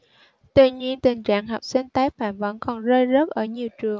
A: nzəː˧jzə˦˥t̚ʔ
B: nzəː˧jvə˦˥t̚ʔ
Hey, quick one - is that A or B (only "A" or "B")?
A